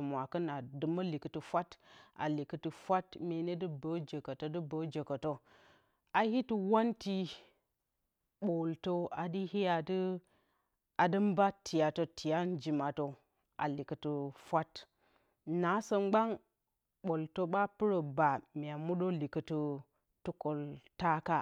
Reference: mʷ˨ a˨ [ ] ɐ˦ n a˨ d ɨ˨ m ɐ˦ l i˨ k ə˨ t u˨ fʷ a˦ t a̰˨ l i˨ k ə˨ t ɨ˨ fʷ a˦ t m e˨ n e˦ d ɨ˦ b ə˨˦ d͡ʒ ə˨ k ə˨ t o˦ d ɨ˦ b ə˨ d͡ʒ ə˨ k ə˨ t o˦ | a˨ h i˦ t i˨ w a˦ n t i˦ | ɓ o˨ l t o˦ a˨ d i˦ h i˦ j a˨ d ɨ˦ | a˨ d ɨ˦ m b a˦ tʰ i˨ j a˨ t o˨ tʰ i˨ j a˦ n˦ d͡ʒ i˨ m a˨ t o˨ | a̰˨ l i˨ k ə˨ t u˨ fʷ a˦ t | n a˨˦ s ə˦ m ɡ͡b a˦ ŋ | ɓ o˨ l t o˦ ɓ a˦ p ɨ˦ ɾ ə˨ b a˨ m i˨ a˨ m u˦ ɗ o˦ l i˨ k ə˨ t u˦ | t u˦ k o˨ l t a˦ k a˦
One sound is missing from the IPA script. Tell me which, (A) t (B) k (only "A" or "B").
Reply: B